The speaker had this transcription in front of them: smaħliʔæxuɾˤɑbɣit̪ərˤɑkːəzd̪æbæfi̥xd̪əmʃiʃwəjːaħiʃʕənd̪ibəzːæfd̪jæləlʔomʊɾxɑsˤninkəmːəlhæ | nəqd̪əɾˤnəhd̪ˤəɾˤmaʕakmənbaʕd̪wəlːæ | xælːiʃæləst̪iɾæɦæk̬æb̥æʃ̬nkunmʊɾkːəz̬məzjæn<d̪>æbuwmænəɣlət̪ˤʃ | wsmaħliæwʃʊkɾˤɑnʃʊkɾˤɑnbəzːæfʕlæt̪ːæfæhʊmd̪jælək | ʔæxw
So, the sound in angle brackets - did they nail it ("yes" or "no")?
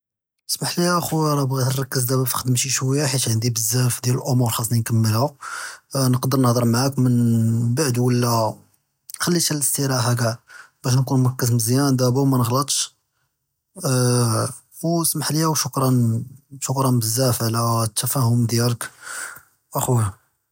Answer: yes